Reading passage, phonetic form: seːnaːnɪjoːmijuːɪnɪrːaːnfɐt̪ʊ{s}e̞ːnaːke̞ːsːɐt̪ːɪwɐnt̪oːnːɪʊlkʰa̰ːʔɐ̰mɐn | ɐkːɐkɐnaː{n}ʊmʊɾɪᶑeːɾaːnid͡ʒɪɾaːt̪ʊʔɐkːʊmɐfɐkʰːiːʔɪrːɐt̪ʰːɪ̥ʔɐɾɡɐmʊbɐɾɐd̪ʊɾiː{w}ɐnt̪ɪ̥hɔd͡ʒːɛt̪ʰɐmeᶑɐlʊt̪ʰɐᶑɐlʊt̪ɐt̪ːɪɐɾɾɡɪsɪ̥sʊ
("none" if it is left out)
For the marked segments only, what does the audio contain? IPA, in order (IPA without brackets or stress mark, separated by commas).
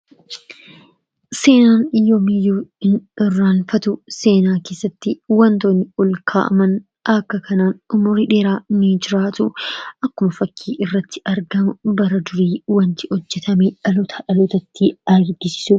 s, n, w